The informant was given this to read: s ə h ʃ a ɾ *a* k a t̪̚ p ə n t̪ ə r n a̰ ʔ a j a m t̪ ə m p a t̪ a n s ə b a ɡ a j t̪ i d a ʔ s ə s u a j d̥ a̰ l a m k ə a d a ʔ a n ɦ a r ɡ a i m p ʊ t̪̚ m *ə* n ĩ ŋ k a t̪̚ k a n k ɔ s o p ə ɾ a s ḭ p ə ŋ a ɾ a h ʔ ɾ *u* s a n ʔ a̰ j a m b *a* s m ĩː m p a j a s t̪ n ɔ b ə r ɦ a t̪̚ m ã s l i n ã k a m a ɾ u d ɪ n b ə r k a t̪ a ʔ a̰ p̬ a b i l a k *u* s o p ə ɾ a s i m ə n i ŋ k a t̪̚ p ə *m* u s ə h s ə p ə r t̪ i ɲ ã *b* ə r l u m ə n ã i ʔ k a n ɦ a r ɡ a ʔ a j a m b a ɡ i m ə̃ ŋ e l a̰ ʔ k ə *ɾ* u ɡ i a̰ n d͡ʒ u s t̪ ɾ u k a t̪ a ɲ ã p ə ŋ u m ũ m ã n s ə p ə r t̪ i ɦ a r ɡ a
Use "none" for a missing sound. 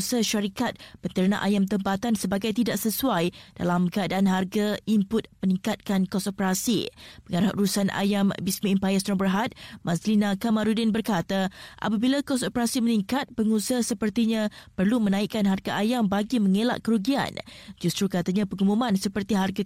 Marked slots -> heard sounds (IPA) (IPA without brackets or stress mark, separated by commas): i, ə, u, i, ɔ, ŋ, p, ɾ